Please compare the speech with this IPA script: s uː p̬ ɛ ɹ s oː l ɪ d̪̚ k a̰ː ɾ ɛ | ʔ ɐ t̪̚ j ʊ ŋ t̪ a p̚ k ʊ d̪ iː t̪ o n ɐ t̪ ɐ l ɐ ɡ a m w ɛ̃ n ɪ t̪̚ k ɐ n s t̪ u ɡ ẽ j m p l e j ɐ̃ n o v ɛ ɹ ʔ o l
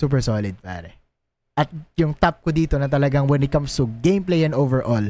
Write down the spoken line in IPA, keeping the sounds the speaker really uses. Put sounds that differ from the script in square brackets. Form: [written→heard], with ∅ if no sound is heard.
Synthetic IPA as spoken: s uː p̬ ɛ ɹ s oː l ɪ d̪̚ [k→p] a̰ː ɾ ɛ | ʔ ɐ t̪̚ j ʊ ŋ t̪ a p̚ k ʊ d̪ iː t̪ o n ɐ t̪ ɐ l ɐ ɡ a [m→ŋ] w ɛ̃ n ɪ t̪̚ k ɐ [n→m] s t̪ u ɡ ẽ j m p l e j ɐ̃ n o v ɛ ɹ ʔ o l